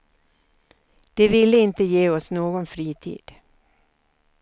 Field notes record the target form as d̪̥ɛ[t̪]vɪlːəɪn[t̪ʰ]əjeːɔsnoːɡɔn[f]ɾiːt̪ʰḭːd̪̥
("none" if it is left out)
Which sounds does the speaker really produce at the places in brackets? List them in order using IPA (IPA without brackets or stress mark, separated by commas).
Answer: none, t̪, f